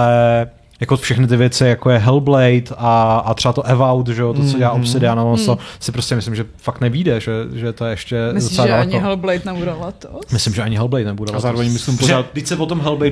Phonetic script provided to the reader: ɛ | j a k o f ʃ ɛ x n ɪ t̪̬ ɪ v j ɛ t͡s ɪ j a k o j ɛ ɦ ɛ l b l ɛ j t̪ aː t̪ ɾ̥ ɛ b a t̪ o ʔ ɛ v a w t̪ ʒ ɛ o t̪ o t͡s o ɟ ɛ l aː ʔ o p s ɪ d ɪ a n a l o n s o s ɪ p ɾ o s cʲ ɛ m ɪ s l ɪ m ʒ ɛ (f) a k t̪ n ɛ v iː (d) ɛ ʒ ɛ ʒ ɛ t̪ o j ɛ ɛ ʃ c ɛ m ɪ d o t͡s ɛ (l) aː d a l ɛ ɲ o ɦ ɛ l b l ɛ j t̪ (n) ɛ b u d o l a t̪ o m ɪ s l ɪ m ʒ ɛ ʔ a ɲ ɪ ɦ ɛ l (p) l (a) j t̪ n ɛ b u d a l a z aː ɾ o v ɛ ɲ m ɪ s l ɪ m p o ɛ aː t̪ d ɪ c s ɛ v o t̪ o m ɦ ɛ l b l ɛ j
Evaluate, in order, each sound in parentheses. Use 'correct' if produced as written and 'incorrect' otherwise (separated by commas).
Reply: correct, correct, correct, correct, incorrect, incorrect